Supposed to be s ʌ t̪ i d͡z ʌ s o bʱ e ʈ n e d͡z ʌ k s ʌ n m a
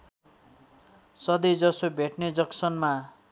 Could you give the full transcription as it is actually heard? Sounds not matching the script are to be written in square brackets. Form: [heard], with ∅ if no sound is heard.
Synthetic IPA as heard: s ʌ [d̪] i d͡z ʌ s o bʱ e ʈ n e d͡z ʌ k s ʌ n m a

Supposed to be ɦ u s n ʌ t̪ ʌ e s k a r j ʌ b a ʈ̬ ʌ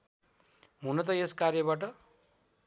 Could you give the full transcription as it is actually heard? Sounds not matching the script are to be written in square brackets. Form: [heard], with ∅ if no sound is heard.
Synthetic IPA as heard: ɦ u [∅] n ʌ t̪ ʌ e s k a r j ʌ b a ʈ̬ ʌ

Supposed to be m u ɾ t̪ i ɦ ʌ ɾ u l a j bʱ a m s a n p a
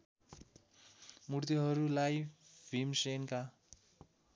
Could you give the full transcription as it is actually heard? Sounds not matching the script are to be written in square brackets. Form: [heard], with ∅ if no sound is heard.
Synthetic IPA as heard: m u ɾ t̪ i ɦ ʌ ɾ u l a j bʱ [i] m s [e] n [k] a

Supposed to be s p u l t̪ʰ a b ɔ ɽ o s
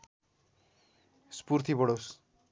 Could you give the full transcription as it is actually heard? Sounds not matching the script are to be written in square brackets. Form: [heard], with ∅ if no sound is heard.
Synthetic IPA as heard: s p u [ɾ] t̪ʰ [i] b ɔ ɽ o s

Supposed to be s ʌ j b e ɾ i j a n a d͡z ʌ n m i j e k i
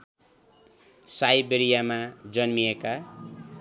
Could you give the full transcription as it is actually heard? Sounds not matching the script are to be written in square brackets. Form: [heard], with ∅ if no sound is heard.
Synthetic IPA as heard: s [a] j b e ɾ i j a [m] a d͡z ʌ n m i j e k [a]

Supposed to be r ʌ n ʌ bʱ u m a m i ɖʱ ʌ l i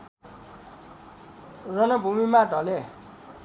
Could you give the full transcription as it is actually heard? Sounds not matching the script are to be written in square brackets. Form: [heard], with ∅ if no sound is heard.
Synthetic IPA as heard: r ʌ n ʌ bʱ u m [i] m [a] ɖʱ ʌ l [e]

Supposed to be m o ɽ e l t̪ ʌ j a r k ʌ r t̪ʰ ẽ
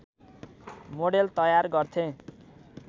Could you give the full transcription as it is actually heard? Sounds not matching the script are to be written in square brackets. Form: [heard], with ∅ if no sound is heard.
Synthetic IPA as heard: m o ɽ e l t̪ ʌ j a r [ɡ] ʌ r t̪ʰ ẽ

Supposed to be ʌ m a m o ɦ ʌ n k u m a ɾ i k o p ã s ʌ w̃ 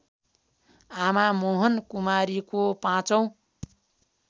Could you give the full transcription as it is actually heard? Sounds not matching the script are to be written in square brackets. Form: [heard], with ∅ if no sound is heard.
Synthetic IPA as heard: [a] m a m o ɦ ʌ n k u m a ɾ i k o p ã [t͡s] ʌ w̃

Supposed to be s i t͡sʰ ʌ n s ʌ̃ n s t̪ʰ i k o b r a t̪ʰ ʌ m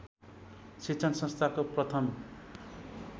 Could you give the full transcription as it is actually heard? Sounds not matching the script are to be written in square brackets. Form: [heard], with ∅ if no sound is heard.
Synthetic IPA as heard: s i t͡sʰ ʌ n s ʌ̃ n s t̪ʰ [a] k o [p] r [ʌ] t̪ʰ ʌ m

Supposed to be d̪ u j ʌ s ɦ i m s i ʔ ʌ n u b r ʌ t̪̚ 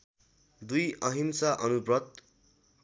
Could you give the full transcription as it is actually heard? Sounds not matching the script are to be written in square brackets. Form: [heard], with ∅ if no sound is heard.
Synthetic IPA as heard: d̪ u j ʌ [∅] ɦ i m s [a] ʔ ʌ n u b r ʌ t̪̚

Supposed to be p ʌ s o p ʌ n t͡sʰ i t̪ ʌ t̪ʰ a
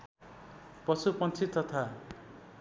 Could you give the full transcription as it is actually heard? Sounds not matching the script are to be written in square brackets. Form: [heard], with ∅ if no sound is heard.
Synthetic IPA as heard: p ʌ s [u] p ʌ n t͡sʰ i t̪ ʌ t̪ʰ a

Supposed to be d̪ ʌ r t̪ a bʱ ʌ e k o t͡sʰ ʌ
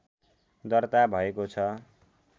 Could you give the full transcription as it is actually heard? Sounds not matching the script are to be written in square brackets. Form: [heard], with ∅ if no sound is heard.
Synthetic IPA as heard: d̪ ʌ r t̪ a bʱ ʌ e k o t͡sʰ ʌ

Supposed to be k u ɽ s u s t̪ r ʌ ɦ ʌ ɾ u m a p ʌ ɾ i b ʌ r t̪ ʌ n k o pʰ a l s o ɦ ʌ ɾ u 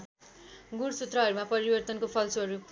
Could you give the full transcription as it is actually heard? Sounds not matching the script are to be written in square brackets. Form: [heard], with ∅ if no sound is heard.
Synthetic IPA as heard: [ɡ] u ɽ s u [∅] t̪ r ʌ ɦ ʌ ɾ u m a p ʌ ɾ i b ʌ r t̪ ʌ n k o pʰ [ʌ] l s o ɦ ʌ ɾ u

